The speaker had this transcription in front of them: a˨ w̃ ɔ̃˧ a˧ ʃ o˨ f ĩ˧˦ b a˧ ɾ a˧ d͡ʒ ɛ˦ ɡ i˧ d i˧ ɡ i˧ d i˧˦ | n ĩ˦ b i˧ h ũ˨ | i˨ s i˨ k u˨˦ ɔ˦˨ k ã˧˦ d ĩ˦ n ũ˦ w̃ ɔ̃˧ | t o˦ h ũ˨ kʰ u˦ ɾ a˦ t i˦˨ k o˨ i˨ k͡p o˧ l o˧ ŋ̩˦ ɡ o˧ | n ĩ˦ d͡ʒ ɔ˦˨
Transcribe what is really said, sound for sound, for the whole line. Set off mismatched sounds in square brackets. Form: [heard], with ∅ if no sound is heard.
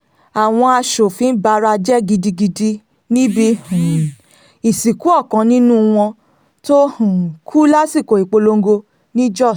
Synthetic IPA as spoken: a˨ w̃ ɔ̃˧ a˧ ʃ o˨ f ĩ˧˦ b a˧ ɾ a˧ d͡ʒ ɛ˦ ɡ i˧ d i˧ ɡ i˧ d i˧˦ | n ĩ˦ b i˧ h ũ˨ | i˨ s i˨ k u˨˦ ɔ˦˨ k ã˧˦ [n] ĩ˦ n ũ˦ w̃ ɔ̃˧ | t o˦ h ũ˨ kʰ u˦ [l] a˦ [s] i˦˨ k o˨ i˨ k͡p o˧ l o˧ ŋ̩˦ ɡ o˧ | n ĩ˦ d͡ʒ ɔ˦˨